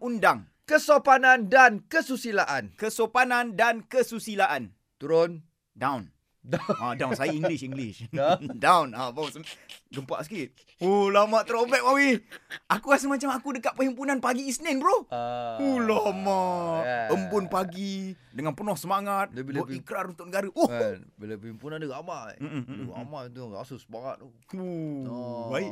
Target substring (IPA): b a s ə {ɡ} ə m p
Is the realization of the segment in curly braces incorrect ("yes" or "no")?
no